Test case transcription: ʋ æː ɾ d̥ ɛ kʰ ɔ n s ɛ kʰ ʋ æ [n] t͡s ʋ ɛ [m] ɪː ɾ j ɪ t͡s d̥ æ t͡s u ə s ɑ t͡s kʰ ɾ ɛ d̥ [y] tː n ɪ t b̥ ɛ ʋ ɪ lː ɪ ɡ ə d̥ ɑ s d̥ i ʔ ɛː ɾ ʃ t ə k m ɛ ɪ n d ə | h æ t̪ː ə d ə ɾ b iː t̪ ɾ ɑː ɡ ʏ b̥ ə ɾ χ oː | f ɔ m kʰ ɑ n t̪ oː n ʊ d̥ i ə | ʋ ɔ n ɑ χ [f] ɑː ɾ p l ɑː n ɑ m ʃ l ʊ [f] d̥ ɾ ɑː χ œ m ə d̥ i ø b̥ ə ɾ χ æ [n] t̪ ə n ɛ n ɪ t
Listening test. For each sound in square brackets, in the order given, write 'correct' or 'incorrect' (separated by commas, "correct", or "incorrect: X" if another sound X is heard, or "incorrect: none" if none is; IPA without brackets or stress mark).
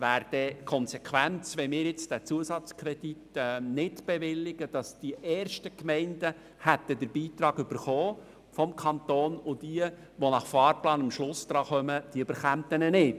correct, correct, incorrect: i, correct, incorrect: s, incorrect: m